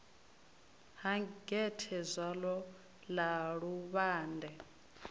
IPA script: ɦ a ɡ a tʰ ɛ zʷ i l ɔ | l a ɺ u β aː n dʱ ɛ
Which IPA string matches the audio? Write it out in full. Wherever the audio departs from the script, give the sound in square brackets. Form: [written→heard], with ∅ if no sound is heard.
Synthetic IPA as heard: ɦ a ɡ [a→ɛ] tʰ ɛ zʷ [i→a] l ɔ | l a ɺ u β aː n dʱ ɛ